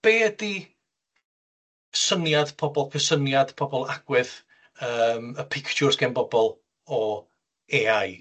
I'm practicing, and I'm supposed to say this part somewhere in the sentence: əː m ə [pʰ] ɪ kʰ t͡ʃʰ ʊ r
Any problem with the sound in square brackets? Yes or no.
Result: no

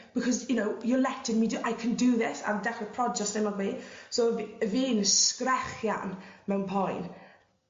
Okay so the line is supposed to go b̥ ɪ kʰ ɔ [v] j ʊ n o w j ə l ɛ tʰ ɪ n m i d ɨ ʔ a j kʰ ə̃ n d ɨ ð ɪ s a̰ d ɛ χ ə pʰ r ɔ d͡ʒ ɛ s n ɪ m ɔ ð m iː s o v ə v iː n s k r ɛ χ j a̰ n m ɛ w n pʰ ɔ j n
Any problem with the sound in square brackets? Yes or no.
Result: yes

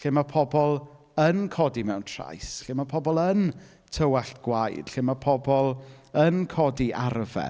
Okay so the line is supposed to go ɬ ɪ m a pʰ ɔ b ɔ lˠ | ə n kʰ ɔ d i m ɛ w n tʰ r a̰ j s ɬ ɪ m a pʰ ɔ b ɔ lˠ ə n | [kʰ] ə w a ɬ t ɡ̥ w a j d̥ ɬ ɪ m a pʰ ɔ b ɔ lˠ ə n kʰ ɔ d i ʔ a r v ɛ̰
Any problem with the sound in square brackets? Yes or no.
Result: yes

